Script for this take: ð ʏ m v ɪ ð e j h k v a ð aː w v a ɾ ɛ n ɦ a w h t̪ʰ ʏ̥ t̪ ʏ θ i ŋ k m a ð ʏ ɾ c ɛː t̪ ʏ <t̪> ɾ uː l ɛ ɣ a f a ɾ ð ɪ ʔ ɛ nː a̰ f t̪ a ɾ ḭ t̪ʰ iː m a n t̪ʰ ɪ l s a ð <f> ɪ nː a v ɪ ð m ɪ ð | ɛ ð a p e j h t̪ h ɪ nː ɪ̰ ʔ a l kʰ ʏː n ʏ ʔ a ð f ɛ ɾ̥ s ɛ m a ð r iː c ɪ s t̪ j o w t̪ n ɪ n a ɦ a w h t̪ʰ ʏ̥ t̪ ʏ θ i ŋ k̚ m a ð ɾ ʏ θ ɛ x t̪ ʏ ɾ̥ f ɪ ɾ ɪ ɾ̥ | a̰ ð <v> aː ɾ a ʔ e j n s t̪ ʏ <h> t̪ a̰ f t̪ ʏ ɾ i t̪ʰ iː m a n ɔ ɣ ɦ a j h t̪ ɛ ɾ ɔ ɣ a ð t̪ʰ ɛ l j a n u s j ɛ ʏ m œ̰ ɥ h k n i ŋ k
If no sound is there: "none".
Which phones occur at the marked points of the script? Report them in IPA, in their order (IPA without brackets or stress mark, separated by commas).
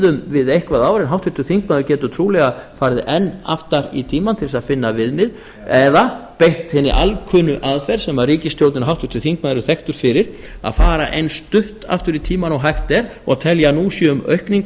t̪ʰ, f, f, h